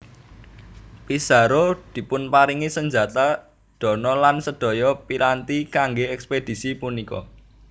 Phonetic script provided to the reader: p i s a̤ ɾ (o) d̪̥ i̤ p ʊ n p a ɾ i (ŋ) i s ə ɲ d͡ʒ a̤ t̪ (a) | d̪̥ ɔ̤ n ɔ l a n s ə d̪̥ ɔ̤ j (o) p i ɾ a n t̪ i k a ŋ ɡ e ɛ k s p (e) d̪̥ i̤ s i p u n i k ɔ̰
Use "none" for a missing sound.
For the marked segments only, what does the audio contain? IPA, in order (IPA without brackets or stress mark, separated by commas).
o, ŋ, a, ɔ, e